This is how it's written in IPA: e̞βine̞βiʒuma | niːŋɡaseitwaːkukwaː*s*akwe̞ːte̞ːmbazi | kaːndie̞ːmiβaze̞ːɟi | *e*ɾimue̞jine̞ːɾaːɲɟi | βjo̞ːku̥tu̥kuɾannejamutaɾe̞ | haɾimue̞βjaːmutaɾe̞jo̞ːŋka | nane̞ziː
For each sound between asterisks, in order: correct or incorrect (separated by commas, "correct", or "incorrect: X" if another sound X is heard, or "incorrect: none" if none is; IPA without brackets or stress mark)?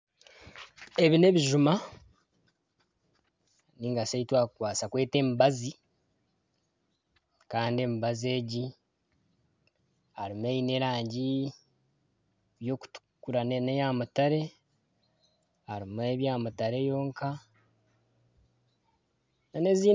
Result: correct, incorrect: a